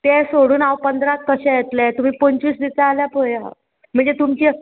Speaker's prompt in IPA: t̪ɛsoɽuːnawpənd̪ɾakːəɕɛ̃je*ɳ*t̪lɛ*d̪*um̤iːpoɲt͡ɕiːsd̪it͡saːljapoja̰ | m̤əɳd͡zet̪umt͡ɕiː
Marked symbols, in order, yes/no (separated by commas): no, no